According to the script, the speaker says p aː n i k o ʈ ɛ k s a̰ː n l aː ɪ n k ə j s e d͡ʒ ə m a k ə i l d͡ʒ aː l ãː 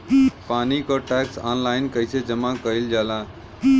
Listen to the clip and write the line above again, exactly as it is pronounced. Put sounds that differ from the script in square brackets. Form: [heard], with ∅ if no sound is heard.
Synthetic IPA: p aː n i k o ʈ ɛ k s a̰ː n l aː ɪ n k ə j s e d͡ʒ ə m a k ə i l d͡ʒ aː l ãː